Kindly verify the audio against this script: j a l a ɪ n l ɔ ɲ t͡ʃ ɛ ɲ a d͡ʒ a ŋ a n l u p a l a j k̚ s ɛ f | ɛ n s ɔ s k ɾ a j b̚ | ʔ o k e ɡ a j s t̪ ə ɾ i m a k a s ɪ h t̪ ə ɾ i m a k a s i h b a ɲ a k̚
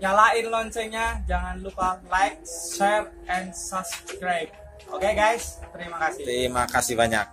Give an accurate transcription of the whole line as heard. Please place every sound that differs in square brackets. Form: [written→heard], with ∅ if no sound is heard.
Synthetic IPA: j a l a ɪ n l ɔ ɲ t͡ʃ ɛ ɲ a d͡ʒ a ŋ a n l u p a l a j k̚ s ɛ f | ɛ n s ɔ s k ɾ a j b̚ | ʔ o k e ɡ a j s t̪ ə ɾ i m a k a s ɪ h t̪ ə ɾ i m a k a s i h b a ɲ a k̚